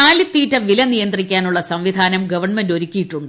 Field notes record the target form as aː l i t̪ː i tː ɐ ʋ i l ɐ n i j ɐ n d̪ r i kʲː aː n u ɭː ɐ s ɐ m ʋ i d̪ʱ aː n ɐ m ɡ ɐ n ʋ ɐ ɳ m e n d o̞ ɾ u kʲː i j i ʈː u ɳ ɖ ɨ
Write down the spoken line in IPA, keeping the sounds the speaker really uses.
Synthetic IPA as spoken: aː l i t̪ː iː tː ɐ ʋ i l ɐ n i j ɐ n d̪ r i kʲː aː n u ɭː ɐ s ɐ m ʋ i d̪ʱ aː n ɐ m ɡ ɐ ʋ ɐ ɳ m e n d o̞ ɾ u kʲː i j i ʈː u ɳ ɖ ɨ